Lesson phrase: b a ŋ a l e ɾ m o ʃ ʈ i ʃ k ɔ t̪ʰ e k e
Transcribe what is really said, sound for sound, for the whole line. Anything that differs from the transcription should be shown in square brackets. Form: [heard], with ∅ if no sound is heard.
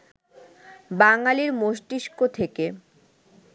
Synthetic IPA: b a ŋ a l [i] ɾ m o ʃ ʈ i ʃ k [o] t̪ʰ e k e

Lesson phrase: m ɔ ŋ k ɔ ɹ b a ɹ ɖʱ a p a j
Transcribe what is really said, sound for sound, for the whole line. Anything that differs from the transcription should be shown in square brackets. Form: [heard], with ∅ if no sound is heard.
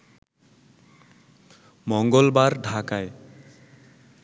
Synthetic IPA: m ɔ ŋ [ɡ] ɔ [l] b a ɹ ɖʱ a [k] a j

